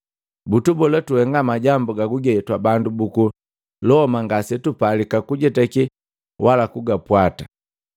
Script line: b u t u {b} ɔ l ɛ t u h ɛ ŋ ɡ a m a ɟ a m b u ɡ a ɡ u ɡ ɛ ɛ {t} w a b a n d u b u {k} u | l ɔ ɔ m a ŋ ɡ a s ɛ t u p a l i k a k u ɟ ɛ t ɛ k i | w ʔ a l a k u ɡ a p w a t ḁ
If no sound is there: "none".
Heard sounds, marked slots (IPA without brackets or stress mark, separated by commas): b, t, k